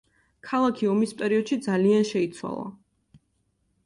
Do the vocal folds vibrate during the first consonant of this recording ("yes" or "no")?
no